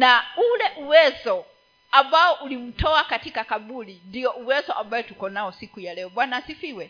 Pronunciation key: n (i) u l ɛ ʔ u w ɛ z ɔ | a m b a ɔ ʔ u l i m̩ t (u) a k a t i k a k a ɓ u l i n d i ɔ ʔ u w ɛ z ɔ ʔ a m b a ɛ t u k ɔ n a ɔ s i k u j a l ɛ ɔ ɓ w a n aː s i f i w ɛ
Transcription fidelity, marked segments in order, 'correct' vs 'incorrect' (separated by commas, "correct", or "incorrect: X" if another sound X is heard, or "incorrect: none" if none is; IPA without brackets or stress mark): incorrect: a, incorrect: ɔ